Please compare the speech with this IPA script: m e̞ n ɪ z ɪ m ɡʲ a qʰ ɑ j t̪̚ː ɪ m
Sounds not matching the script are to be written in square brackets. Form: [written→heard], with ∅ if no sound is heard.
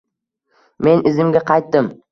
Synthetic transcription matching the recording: m e̞ n ɪ z ɪ m ɡʲ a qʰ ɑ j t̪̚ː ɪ m